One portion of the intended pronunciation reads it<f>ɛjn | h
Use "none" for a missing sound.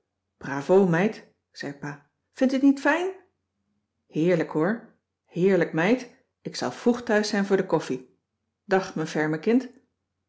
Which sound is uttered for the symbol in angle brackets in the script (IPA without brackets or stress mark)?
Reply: f